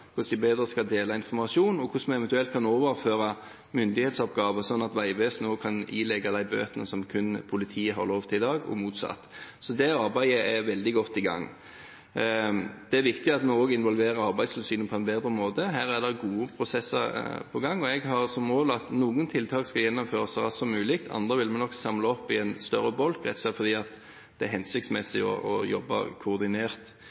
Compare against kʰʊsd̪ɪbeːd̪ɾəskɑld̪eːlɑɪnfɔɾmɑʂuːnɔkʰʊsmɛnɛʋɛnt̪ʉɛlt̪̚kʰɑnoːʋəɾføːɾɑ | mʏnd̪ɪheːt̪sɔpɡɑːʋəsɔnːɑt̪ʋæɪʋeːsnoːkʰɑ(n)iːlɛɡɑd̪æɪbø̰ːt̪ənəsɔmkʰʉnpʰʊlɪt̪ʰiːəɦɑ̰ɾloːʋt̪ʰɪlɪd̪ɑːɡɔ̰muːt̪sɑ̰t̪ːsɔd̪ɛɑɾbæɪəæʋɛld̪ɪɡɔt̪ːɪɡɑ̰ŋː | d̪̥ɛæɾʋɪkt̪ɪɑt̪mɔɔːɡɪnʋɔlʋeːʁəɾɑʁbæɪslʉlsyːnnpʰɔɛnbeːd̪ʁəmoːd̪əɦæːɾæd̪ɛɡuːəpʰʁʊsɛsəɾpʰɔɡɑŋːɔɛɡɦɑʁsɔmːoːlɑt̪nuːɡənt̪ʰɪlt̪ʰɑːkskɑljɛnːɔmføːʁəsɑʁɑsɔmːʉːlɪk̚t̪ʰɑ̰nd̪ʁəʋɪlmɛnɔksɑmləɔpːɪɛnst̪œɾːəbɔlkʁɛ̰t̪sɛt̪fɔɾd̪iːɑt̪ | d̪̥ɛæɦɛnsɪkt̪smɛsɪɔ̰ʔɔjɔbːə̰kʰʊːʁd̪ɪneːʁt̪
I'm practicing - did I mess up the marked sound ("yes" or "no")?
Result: no